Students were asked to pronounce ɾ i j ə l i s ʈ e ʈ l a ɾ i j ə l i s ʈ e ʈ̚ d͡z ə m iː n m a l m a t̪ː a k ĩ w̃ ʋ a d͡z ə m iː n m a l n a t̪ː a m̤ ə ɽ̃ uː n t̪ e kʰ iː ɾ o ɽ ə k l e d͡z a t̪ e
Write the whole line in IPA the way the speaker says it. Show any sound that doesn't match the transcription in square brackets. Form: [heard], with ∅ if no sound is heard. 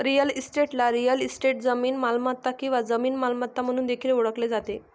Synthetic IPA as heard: ɾ i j ə l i s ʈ e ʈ l a ɾ i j ə l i s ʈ e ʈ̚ d͡z ə m iː n m a l m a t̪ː a k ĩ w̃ ʋ a d͡z ə m iː n m a l [m] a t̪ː a m̤ ə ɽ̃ uː n [d̪] e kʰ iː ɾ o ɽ ə k l e d͡z a t̪ e